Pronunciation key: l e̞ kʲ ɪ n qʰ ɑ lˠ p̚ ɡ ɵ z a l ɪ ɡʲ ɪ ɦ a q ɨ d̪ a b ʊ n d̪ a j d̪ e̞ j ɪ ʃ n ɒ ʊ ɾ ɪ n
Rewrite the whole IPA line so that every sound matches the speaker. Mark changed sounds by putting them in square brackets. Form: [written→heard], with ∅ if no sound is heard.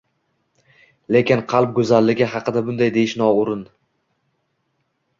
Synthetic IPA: l e̞ kʲ ɪ n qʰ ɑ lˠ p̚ ɡ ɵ z a [l→lː] ɪ ɡʲ ɪ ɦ [a→ɑ] q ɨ d̪ a b ʊ n d̪ a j d̪ e̞ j ɪ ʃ n ɒ ʊ ɾ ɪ n

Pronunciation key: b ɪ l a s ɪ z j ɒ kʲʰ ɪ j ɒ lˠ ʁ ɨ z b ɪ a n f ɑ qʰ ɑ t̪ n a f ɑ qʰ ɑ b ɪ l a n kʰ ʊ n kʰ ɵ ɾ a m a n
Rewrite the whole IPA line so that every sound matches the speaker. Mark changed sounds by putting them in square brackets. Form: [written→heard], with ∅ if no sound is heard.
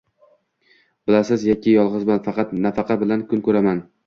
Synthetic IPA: b ɪ l a s ɪ z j ɒ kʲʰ ɪ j ɒ lˠ ʁ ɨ z b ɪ a n f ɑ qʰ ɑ t̪ n a f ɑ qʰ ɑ b ɪ l a n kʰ ʊ n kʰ ɵ ɾ a m a n

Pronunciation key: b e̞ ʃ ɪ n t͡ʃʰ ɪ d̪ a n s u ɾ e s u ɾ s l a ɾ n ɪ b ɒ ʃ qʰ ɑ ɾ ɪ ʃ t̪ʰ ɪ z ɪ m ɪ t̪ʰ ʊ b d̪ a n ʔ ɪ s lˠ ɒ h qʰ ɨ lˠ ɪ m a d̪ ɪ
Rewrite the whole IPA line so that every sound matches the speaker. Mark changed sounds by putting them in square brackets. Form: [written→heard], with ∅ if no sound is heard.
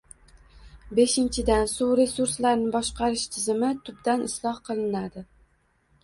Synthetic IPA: b e̞ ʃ ɪ n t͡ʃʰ ɪ d̪ a n s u ɾ e s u ɾ s l a ɾ n ɪ b ɒ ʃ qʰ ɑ ɾ ɪ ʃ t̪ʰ ɪ z ɪ m ɪ t̪ʰ ʊ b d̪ a n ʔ ɪ s lˠ ɒ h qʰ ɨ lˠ ɪ [m→n] a d̪ ɪ

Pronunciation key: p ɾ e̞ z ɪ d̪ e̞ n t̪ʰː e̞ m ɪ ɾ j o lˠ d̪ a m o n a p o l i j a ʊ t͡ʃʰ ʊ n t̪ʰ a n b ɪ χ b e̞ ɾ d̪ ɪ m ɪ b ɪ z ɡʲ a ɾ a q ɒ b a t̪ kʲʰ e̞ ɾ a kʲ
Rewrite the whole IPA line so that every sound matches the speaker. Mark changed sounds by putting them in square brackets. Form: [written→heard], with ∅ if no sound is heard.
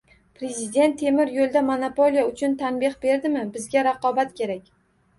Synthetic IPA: p ɾ e̞ z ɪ d̪ e̞ n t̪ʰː e̞ m ɪ ɾ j o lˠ d̪ a m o n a p o l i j a ʊ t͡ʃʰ ʊ n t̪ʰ a n b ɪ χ b e̞ ɾ d̪ ɪ m ɪ b ɪ z ɡʲ a ɾ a q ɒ b a t̪ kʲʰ e̞ ɾ a kʲ

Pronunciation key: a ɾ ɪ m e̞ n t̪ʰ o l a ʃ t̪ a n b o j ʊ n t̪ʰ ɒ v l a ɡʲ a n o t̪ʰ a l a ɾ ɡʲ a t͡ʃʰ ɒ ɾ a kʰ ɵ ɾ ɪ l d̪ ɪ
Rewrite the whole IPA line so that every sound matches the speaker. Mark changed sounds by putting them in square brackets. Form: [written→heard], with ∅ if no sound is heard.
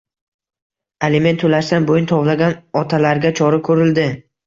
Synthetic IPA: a [ɾ→l] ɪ m e̞ n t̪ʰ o l a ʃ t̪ a n b o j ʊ n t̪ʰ ɒ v l a ɡʲ a n [o→ɒ] t̪ʰ a l a ɾ ɡʲ a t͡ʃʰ ɒ ɾ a kʰ ɵ ɾ ɪ l d̪ ɪ

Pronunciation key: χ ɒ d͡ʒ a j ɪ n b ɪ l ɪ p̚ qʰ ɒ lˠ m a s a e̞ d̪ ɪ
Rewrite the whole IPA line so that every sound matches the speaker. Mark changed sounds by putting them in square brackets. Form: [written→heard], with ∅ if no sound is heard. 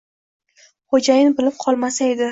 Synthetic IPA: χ [ɒ→o] d͡ʒ a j ɪ n b ɪ l ɪ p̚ qʰ ɒ lˠ m a s a e̞ d̪ ɪ

